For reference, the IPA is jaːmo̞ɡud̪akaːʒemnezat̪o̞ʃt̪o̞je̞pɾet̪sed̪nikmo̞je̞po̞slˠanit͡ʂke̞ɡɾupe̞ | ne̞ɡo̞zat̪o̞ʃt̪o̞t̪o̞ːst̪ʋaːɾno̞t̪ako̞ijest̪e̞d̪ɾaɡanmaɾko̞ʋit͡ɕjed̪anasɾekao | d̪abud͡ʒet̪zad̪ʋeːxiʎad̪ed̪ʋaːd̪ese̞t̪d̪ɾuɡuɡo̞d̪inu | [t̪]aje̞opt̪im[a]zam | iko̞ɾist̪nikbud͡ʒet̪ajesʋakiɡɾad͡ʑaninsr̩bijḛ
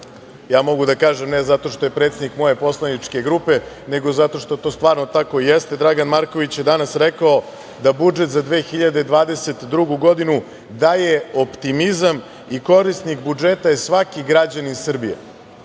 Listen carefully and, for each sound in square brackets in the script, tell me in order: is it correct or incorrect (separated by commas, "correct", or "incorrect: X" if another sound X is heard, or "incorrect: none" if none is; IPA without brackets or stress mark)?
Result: incorrect: d̪, incorrect: i